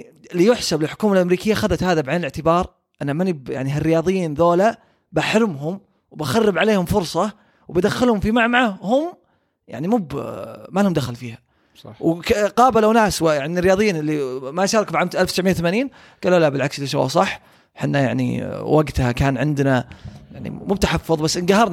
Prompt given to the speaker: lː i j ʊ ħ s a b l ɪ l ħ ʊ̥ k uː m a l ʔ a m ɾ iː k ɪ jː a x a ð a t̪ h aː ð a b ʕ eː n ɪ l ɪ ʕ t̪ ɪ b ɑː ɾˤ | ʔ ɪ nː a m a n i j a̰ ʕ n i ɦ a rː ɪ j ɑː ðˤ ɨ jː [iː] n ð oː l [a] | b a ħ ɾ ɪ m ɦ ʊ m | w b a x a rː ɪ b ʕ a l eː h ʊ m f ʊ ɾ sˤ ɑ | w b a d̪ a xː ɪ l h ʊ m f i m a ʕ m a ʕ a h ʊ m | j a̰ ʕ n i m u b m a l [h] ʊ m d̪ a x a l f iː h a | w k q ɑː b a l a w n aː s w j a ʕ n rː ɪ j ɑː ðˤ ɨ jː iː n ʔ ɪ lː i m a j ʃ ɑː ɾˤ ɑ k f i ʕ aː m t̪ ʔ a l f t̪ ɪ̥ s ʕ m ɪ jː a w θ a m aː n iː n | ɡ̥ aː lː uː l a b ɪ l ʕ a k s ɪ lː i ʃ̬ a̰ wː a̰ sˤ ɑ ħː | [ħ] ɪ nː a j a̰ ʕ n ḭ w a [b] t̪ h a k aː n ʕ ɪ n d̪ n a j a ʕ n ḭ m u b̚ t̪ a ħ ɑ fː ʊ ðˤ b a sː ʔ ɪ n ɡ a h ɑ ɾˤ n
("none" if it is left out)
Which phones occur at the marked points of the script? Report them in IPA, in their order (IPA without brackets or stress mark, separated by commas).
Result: iː, a, h, ħ, ɡ